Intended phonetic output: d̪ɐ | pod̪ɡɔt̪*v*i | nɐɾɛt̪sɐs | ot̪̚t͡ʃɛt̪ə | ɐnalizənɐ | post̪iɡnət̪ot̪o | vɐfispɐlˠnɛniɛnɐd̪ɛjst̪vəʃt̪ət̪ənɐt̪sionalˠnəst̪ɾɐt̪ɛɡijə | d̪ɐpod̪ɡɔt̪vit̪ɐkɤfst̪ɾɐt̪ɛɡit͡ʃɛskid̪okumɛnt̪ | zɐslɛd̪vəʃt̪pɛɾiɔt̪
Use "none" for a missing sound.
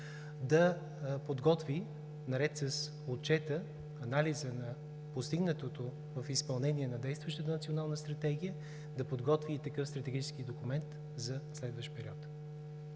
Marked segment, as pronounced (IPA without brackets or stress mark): v